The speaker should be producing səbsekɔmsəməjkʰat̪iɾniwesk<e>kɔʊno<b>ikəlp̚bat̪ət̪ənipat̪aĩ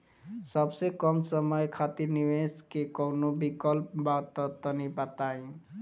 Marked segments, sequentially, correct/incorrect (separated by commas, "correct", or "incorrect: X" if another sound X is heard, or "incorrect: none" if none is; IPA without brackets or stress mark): correct, correct